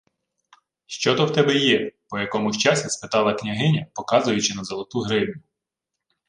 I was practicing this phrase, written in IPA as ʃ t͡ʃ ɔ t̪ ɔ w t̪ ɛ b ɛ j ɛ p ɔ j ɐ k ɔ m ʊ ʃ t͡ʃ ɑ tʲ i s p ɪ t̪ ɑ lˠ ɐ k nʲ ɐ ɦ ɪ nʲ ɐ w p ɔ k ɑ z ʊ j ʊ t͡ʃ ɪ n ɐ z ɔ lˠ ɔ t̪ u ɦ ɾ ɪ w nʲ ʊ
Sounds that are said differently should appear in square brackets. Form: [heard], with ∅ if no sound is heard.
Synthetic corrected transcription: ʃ t͡ʃ ɔ t̪ ɔ w t̪ ɛ b ɛ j ɛ p ɔ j ɐ k ɔ m ʊ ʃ t͡ʃ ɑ [sʲ] i s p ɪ t̪ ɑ lˠ ɐ k nʲ ɐ ɦ ɪ nʲ ɐ [∅] p ɔ k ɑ z ʊ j ʊ t͡ʃ ɪ n ɐ z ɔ lˠ ɔ t̪ u ɦ ɾ ɪ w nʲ ʊ